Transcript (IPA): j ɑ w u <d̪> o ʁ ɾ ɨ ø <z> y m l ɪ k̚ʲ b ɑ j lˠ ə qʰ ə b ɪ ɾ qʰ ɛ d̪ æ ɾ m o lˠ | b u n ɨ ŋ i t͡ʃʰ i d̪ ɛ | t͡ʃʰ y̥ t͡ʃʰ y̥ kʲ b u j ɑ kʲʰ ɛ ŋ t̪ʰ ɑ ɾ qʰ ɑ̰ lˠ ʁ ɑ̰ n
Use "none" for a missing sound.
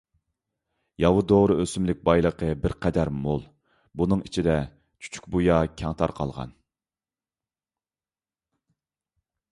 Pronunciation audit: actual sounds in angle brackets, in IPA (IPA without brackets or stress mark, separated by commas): d̪, s